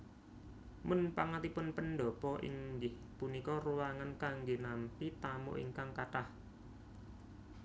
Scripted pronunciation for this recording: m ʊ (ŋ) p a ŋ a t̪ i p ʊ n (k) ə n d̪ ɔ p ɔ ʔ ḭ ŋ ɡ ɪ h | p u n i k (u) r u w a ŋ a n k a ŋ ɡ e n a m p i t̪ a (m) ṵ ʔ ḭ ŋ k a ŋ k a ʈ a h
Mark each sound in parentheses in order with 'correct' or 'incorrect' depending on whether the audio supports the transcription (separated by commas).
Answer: incorrect, incorrect, incorrect, correct